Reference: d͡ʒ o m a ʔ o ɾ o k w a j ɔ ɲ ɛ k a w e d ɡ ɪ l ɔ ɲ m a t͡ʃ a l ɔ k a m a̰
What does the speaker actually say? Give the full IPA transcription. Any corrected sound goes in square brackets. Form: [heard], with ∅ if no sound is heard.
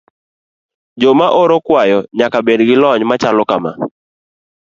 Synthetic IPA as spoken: d͡ʒ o m a ʔ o ɾ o k w a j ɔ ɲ [a] k a [b] e d ɡ ɪ l ɔ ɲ m a t͡ʃ a l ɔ k a m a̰